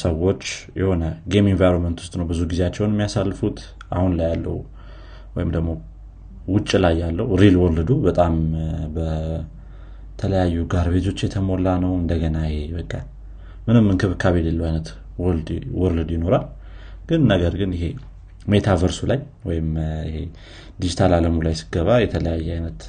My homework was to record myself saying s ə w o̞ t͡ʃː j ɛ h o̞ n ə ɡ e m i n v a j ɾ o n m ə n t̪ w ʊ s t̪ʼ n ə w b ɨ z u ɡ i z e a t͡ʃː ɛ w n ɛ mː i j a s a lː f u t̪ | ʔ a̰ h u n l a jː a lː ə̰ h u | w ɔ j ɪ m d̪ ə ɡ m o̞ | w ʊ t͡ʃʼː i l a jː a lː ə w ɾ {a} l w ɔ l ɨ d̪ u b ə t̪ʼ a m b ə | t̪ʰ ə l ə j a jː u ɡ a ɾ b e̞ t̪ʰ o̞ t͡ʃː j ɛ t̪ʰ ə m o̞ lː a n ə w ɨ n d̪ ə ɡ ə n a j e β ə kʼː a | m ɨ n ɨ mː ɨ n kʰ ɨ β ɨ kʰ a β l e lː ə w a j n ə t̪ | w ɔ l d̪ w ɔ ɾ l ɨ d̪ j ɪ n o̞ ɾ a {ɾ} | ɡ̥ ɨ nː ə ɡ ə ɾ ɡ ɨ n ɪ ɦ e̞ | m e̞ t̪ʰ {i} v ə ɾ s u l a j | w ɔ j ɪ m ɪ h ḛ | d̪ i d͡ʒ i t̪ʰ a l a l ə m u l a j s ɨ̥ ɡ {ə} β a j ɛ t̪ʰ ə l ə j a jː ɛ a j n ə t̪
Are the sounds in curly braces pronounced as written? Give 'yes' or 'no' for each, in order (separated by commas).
no, no, no, yes